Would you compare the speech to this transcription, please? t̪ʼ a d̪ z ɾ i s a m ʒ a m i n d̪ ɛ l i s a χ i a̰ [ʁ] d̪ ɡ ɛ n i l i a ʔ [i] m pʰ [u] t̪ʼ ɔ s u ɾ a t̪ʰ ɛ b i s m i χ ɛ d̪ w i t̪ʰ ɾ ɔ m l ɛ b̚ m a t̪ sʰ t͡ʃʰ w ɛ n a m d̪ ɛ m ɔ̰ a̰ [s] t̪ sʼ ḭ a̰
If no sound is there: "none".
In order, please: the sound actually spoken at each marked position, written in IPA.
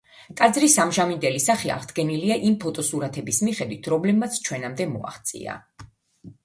ʁ, i, ɔ, χ

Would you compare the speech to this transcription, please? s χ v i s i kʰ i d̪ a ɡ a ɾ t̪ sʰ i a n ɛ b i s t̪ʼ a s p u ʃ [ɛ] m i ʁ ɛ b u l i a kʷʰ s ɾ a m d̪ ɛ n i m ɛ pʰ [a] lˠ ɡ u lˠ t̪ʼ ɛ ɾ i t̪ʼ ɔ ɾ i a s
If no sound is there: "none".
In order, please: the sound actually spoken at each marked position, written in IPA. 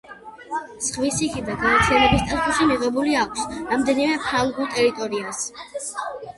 i, a

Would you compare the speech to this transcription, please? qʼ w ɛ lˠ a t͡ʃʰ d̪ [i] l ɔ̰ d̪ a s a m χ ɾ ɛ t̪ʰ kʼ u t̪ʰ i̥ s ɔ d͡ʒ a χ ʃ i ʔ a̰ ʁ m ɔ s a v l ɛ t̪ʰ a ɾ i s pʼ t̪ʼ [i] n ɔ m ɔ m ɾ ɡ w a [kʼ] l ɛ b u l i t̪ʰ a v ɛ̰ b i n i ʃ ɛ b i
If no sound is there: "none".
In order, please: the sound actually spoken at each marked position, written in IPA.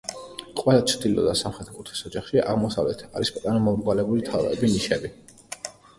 i, a, none

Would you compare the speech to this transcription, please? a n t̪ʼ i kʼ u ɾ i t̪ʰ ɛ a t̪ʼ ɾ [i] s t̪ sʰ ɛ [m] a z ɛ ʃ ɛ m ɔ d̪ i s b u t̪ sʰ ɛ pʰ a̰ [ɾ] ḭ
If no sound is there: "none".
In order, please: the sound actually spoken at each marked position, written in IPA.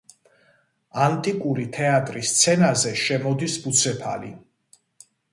i, n, l

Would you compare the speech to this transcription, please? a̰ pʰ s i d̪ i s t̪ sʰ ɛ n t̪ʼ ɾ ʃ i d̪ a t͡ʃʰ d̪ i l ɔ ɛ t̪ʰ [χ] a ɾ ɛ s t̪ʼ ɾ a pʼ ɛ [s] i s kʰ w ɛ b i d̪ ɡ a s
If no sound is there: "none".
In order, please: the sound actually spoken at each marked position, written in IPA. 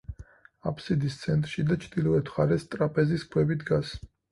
χ, z

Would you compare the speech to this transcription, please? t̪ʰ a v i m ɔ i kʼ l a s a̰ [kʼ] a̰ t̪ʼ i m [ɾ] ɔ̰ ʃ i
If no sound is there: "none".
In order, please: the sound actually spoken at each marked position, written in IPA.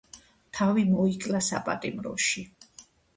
pʼ, ɾ

